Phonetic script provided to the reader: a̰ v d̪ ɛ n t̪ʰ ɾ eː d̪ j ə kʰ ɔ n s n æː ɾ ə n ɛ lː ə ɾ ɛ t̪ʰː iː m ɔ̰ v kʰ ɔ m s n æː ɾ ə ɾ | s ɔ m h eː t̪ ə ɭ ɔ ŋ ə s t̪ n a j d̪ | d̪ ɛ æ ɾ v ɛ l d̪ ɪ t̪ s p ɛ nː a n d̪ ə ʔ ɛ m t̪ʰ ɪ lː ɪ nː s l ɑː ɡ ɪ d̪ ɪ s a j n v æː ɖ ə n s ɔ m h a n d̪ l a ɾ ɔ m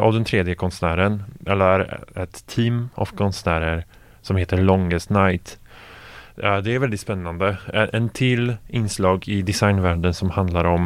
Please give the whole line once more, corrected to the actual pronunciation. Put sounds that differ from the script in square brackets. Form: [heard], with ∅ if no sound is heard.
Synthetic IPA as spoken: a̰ v d̪ ɛ n t̪ʰ ɾ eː d̪ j ə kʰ ɔ n s n æː ɾ ə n ɛ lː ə ɾ ɛ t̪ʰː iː m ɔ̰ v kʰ ɔ [n] s n æː ɾ ə ɾ | s ɔ m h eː t̪ ə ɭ ɔ ŋ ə s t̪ n a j [t̪] | d̪ ɛ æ ɾ v ɛ l d̪ ɪ t̪ s p ɛ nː a n d̪ ə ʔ ɛ [n] t̪ʰ ɪ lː ɪ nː s l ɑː ɡ ɪ d̪ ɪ s a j n v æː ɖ ə n s ɔ m h a n d̪ l a ɾ ɔ m